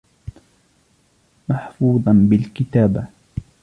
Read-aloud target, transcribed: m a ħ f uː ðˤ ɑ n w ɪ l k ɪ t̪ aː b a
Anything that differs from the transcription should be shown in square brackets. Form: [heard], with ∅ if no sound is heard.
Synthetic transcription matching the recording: m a ħ f uː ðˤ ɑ n [b] ɪ l k ɪ t̪ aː b a